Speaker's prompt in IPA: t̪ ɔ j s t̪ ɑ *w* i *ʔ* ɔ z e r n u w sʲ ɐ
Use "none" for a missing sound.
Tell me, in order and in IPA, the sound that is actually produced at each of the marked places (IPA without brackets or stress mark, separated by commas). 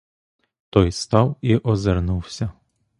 w, ʔ